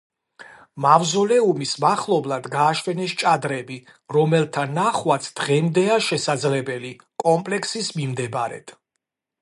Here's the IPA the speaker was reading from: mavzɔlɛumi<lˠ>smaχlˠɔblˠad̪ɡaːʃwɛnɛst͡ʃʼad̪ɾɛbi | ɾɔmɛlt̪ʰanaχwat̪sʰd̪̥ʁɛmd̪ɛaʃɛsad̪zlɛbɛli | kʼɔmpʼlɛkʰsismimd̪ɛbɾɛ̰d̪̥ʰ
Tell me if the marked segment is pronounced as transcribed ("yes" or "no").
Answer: no